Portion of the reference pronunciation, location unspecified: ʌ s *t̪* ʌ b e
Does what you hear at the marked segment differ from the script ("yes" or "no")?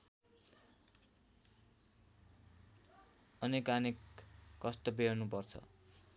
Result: no